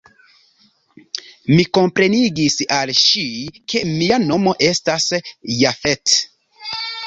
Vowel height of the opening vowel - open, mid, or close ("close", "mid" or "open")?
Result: close